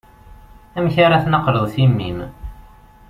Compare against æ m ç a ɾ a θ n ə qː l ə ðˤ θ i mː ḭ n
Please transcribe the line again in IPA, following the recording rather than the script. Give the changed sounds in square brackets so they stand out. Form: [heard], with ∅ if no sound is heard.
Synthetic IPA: æ m ç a ɾ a θ n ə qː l ə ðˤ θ i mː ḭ [m]